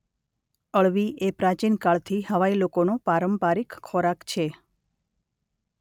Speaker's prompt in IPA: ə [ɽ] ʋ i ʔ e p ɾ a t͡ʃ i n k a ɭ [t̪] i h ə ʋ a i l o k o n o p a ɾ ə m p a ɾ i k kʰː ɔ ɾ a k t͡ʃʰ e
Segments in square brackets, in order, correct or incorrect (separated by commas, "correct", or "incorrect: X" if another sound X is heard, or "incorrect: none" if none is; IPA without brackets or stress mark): incorrect: ɭ, incorrect: t̪ʰ